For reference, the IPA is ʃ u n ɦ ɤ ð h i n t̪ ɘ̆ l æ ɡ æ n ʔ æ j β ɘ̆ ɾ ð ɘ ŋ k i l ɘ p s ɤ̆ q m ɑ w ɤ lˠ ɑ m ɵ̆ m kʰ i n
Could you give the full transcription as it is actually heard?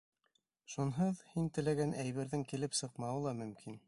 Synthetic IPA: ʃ u n ɦ ɤ ð h i n t̪ ɘ̆ l æ ɡ æ n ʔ æ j β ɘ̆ ɾ ð ɘ ŋ k i l ɘ p s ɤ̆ q m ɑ w ɤ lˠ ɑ m ɵ̆ m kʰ i n